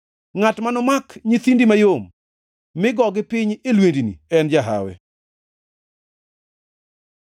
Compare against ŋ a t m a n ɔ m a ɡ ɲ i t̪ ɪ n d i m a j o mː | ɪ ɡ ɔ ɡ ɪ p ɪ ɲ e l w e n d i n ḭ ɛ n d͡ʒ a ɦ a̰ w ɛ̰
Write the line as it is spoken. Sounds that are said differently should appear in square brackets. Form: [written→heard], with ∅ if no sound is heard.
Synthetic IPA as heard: ŋ a t m a n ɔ m a [ɡ→k] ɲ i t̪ [ɪ→i] n d i m a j o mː | ɪ ɡ ɔ ɡ ɪ p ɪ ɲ e l w e n d i n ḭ ɛ n d͡ʒ a ɦ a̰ w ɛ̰

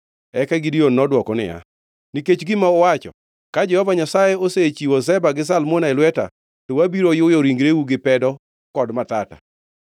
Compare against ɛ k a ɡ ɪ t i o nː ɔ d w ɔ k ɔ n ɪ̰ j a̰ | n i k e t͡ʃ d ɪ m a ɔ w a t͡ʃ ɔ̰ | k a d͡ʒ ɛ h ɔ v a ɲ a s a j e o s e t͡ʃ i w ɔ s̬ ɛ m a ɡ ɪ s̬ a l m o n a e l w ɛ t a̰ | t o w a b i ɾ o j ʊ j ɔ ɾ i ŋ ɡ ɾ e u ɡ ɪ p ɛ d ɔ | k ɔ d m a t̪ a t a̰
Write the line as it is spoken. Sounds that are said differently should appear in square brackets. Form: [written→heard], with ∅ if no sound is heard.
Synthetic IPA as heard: ɛ k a ɡ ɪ [t→d] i o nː ɔ d w ɔ k ɔ n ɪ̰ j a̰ | n i k e t͡ʃ [d→ɡ] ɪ m a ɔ w a t͡ʃ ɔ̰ | k a d͡ʒ ɛ h ɔ v a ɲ a s a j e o s e t͡ʃ i w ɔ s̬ ɛ [m→b] a ɡ ɪ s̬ a l m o n a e l w ɛ t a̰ | t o w a b i ɾ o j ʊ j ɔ ɾ i ŋ ɡ ɾ e u ɡ ɪ p ɛ d ɔ | k ɔ d m a t̪ a t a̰

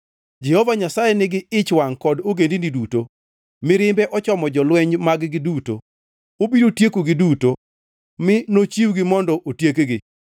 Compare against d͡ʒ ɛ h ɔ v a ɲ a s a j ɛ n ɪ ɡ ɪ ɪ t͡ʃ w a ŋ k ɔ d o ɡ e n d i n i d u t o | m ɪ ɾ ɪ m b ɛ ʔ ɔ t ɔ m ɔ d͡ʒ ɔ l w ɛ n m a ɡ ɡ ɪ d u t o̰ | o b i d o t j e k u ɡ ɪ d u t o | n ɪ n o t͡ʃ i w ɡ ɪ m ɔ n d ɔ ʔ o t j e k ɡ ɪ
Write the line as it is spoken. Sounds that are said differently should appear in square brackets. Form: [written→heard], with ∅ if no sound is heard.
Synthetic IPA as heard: d͡ʒ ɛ h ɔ v a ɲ a s a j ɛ n ɪ ɡ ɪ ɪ t͡ʃ w a ŋ k ɔ d o ɡ e n d i n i d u t o | m ɪ ɾ ɪ m b ɛ ʔ ɔ [t→t͡ʃ] ɔ m ɔ d͡ʒ ɔ l w ɛ [n→ɲ] m a ɡ ɡ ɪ d u t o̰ | o b i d o t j e k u ɡ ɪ d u t o | [n→m] ɪ n o t͡ʃ i w ɡ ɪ m ɔ n d ɔ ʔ o t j e k ɡ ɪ

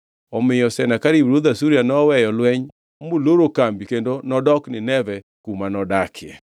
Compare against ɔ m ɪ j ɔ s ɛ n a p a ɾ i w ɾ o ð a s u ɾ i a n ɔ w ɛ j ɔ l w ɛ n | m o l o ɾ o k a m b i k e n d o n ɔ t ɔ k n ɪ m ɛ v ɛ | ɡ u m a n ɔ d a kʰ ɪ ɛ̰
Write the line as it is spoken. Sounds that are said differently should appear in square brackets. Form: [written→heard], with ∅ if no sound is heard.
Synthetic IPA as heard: ɔ m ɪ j ɔ s ɛ n a [p→k] a ɾ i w ɾ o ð a s u ɾ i a n ɔ w ɛ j ɔ l w ɛ [n→ɲ] | m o l o ɾ o k a m b i k e n d o n ɔ [t→d] ɔ k n ɪ [m→n] ɛ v ɛ | [ɡ→k] u m a n ɔ d a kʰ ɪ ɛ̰

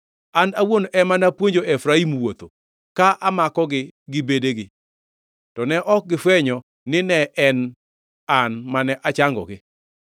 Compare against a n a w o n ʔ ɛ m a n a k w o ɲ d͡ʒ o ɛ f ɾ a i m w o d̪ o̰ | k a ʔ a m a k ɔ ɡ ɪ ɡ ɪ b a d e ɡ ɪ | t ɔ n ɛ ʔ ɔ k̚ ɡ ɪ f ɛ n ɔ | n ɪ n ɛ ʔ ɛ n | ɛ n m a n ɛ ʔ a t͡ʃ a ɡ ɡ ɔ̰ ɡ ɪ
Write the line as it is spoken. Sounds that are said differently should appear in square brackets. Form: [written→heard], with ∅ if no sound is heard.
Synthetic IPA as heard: a n a w o n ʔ ɛ m a n a [k→p] w o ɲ d͡ʒ o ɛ f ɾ a i m w o [d̪→t̪] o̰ | k a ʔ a m a k ɔ ɡ ɪ ɡ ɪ b [a→e] d e ɡ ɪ | t ɔ n ɛ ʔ ɔ k̚ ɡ ɪ f ɛ [n→ɲ] ɔ | n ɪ n ɛ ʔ ɛ n | [ɛ→a] n m a n ɛ ʔ a t͡ʃ a [ɡ→ŋ] ɡ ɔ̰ ɡ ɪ

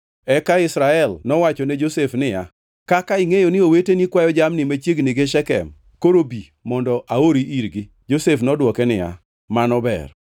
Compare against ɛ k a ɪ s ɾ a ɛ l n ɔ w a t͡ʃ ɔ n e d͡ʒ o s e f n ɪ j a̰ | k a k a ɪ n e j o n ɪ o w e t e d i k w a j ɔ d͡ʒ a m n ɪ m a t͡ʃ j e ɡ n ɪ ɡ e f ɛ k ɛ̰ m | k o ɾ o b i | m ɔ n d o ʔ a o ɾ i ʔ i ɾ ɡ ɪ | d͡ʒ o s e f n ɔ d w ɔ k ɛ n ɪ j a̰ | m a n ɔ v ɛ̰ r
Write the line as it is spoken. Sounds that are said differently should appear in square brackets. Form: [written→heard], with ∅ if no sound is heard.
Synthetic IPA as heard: ɛ k a ɪ s ɾ a ɛ l n ɔ w a t͡ʃ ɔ n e d͡ʒ o s e f n ɪ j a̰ | k a k a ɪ [n→ŋ] e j o n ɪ o w e t e [d→n] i k w a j ɔ d͡ʒ a m n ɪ m a t͡ʃ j e ɡ n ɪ ɡ e [f→ʃ] ɛ k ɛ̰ m | k o ɾ o b i | m ɔ n d [o→ɔ] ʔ a o ɾ i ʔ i ɾ ɡ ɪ | d͡ʒ o s e f n ɔ d w ɔ k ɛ n ɪ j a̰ | m a n ɔ [v→b] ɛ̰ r

